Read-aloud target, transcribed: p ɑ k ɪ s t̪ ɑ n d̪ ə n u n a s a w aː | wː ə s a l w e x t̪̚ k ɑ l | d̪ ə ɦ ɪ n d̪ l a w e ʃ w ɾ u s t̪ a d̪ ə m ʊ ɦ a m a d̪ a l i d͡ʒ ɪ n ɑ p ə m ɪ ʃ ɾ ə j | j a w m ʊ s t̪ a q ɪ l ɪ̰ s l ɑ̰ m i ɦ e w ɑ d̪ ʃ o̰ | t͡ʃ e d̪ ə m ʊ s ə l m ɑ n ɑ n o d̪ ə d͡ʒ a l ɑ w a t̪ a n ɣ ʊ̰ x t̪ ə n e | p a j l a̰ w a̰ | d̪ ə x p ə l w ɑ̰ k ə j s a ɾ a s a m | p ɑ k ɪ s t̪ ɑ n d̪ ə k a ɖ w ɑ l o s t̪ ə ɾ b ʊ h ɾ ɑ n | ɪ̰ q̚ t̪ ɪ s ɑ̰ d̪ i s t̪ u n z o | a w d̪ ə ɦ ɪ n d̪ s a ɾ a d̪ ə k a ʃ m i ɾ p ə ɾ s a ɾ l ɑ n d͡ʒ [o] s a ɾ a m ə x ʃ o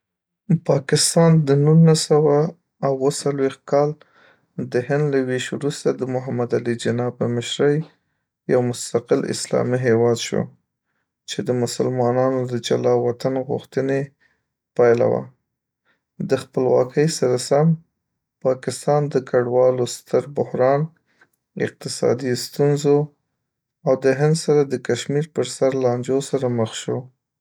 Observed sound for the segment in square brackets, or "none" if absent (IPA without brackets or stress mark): o